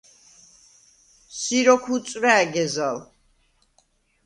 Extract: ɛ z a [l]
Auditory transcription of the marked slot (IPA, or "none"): l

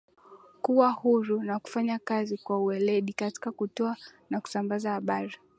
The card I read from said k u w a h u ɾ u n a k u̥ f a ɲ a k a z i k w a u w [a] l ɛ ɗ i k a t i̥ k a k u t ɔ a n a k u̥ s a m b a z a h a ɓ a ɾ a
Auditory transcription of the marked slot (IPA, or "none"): ɛ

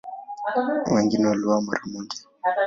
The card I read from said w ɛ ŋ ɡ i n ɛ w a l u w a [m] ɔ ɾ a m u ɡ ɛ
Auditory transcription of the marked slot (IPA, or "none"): m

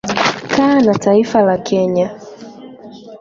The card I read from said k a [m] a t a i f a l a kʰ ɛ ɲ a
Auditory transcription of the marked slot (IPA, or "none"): n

